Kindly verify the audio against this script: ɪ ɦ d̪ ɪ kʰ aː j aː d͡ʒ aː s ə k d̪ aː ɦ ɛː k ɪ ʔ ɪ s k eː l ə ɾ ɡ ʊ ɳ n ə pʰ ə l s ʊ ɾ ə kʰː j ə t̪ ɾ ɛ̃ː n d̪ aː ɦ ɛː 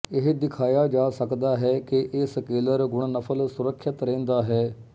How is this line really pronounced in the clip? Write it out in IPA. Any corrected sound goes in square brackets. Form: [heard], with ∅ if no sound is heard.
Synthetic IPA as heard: ɪ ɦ d̪ ɪ kʰ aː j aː d͡ʒ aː s ə k d̪ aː ɦ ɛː k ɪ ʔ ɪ s k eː l ə ɾ ɡ ʊ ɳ n ə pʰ ə l s ʊ ɾ ə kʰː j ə t̪ ɾ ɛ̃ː n d̪ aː ɦ ɛː